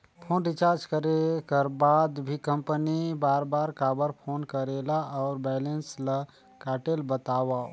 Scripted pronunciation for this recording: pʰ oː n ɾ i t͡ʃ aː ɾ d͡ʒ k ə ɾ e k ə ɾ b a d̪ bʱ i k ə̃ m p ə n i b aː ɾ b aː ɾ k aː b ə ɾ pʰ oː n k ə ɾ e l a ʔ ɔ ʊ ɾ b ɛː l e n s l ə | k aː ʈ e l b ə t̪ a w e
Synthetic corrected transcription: pʰ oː n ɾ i t͡ʃ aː ɾ d͡ʒ k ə ɾ e k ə ɾ b a d̪ bʱ i k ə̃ m p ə n i b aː ɾ b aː ɾ k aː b ə ɾ pʰ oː n k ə ɾ e l a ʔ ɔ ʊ ɾ b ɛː l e n s l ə | k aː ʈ e l b ə t̪ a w a